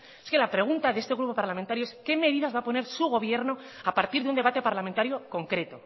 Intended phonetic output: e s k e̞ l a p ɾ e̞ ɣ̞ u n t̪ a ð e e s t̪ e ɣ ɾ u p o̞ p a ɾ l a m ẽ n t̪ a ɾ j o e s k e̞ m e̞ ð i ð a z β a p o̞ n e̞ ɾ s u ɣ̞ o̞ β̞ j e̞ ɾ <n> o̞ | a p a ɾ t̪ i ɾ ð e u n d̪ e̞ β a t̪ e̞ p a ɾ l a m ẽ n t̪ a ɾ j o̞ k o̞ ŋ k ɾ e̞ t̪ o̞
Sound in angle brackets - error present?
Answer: no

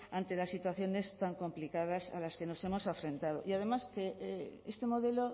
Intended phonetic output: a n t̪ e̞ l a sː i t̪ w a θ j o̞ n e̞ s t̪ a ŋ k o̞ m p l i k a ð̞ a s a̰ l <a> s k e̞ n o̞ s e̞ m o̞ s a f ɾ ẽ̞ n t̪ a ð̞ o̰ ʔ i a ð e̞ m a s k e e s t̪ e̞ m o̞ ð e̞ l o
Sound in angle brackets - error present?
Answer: no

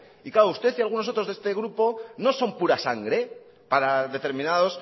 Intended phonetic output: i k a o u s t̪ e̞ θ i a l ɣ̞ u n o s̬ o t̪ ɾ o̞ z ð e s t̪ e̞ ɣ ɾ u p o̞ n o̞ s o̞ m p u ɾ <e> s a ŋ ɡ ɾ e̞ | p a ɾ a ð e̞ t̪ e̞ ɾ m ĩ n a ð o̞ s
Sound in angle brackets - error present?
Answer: yes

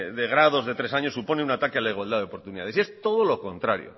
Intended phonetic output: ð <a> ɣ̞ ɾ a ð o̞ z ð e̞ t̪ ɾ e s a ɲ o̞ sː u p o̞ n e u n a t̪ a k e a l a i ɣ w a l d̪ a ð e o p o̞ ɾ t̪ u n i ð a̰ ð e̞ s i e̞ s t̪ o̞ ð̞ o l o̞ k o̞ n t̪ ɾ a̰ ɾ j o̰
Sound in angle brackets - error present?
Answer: yes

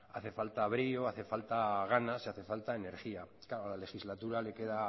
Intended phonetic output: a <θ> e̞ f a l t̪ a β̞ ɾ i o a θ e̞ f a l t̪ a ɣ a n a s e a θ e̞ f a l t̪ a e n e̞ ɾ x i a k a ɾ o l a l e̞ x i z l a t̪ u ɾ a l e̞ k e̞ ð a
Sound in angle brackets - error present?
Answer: no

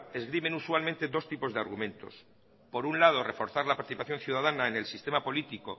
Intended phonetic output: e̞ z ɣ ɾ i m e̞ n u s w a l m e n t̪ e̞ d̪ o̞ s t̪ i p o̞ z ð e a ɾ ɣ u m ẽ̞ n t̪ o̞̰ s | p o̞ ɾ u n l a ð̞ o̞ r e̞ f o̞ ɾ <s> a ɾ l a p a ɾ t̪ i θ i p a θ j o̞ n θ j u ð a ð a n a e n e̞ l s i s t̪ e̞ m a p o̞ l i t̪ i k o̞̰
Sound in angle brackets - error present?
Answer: yes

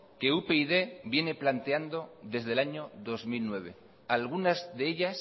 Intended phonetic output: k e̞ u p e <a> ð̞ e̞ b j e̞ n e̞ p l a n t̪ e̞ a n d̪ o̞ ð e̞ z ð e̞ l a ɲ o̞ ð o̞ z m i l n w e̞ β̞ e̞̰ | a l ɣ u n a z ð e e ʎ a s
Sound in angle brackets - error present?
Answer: yes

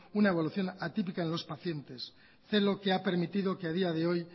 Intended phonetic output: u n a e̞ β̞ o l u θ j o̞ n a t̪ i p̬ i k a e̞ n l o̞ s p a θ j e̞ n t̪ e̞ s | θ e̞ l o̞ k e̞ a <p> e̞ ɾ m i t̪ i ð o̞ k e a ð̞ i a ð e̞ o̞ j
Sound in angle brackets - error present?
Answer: no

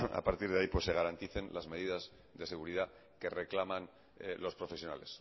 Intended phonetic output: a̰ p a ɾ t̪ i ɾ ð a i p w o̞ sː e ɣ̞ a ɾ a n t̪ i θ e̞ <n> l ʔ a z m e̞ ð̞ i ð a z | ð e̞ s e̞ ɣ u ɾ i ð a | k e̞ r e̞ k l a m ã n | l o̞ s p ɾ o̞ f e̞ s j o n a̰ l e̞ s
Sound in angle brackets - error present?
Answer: no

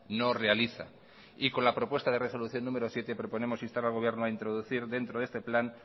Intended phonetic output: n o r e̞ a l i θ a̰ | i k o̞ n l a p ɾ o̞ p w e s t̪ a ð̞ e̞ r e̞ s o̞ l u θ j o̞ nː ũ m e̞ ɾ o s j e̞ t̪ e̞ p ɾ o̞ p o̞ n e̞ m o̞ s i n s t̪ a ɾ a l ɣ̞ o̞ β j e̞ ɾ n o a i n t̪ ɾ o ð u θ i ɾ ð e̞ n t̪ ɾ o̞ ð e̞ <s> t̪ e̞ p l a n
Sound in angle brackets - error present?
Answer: no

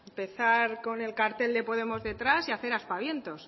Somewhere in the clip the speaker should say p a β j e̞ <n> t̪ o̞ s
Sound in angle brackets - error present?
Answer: no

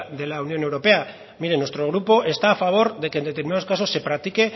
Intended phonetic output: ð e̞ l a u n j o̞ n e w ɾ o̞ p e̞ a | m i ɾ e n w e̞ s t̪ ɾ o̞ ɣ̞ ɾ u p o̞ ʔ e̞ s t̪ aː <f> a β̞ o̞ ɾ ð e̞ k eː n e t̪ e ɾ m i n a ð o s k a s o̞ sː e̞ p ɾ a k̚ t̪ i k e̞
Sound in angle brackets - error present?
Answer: no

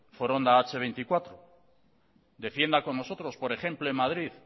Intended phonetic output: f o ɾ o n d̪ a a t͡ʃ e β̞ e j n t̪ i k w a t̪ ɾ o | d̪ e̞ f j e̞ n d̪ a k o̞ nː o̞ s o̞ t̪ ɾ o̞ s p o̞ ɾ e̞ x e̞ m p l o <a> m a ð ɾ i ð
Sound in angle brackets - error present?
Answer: yes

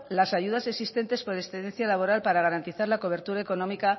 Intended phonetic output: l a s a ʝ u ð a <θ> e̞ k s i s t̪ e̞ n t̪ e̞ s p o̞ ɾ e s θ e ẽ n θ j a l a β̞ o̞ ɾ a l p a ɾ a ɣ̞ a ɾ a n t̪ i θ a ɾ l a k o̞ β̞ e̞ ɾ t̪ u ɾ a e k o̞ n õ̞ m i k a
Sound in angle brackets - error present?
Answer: yes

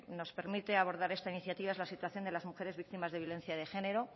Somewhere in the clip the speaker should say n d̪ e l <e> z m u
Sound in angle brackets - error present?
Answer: yes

